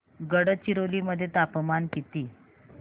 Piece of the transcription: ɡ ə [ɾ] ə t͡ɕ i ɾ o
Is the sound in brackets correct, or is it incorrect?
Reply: incorrect